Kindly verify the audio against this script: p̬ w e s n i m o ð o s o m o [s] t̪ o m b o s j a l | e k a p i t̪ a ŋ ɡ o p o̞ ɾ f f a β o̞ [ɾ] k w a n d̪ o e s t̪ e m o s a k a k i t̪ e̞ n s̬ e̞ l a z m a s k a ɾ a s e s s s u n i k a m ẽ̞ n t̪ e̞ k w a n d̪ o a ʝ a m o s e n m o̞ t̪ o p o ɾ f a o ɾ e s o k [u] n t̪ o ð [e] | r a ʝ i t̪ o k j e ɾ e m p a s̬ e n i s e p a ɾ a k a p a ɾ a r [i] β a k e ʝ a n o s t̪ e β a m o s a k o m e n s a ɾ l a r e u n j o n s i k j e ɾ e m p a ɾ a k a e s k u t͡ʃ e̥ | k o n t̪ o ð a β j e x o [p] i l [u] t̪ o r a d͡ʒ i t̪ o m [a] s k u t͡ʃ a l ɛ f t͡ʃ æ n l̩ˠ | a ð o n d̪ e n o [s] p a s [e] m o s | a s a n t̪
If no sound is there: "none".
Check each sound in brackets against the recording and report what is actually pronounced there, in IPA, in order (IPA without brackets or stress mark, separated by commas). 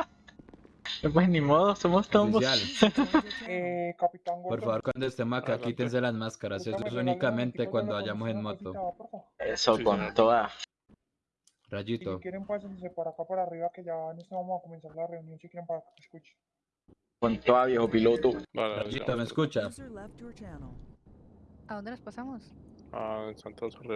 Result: s, ɾ, o, a, i, p, o, e, s, a